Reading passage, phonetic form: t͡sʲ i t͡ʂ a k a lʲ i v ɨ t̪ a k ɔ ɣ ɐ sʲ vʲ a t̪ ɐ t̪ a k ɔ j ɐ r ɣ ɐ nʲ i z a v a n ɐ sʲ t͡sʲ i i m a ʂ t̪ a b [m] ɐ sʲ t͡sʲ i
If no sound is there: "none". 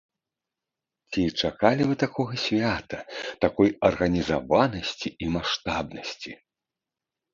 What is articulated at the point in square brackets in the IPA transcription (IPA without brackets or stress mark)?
n